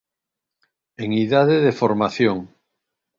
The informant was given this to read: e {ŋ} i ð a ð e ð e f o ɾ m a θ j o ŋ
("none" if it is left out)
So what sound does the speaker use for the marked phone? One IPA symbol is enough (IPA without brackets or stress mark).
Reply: ŋ